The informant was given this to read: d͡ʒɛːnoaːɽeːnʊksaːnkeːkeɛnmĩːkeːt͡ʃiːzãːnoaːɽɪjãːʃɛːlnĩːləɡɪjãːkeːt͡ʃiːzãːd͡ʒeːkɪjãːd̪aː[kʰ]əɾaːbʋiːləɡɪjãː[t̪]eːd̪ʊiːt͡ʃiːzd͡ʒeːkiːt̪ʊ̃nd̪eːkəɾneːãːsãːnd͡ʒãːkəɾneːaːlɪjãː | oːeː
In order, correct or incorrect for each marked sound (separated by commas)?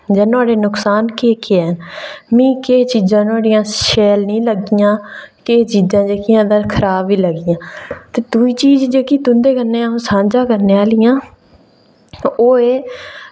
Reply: correct, correct